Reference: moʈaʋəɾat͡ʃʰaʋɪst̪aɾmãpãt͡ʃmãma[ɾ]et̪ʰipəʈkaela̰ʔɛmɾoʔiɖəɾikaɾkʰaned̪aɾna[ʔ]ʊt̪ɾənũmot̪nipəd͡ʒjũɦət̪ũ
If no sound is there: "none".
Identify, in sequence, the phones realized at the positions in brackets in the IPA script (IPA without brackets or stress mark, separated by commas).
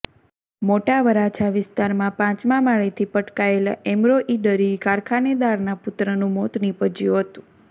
ɭ, p